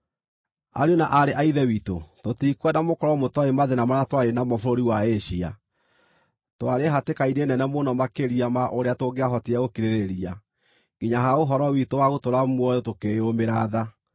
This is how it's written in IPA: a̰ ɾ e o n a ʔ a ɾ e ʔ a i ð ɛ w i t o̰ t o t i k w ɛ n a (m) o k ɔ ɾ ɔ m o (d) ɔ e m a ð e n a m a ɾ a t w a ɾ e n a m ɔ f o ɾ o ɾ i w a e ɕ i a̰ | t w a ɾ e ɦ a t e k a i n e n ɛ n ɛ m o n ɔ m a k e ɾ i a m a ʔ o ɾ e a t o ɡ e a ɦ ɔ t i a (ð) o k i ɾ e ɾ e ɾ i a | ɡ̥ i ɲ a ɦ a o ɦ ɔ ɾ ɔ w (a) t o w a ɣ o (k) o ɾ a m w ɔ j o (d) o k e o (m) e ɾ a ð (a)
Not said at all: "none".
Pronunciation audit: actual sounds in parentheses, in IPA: m, t, ɣ, i, t, t, m, a

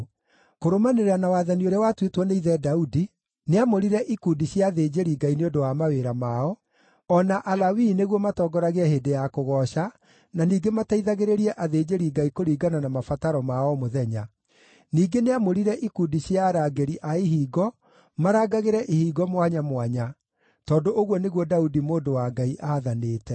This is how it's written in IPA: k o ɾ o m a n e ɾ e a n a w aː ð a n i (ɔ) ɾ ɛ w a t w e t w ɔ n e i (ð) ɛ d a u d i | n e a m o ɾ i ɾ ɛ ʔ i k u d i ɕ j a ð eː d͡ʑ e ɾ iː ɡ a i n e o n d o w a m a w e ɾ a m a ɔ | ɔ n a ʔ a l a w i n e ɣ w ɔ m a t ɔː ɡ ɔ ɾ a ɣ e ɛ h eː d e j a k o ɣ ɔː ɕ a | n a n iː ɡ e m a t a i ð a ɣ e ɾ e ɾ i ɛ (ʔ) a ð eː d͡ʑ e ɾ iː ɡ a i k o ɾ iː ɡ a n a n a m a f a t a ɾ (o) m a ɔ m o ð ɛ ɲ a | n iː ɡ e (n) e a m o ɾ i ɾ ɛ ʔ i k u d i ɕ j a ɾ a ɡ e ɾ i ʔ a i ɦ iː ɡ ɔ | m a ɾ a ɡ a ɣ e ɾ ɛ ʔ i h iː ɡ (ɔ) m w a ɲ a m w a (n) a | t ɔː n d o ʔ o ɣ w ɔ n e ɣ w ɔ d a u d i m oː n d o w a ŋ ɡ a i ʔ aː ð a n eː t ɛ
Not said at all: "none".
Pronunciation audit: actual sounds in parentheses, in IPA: o, ð, ʔ, ɔ, n, ɔ, ɲ

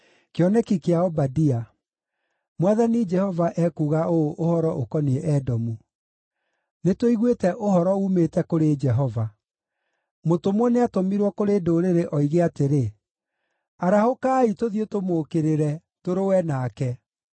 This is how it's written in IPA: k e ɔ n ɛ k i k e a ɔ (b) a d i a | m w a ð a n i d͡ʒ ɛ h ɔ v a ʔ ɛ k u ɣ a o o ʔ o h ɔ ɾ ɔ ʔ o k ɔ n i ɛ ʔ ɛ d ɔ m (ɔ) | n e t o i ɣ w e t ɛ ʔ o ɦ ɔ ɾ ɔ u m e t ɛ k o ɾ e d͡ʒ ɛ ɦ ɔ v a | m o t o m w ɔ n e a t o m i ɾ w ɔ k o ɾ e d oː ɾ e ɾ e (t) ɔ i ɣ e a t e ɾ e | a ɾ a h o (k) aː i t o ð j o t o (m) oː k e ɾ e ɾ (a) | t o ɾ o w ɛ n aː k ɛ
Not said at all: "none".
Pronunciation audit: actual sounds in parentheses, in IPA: b, u, ʔ, k, m, ɛ

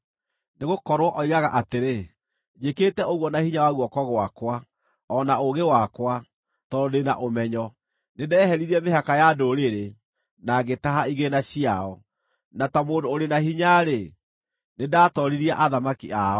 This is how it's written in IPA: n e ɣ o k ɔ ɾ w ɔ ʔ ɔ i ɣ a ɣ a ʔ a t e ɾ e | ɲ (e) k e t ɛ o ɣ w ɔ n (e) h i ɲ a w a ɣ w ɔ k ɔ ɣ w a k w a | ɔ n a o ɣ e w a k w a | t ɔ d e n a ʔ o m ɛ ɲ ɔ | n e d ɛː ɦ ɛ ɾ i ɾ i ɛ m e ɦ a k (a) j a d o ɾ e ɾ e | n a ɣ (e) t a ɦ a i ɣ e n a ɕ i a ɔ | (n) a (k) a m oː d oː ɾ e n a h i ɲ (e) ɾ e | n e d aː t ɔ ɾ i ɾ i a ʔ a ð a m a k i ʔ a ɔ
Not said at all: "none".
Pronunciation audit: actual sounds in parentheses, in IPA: e, a, a, e, n, t, a

